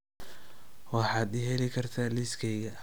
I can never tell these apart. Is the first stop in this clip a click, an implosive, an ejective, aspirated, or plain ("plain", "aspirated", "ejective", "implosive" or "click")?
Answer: plain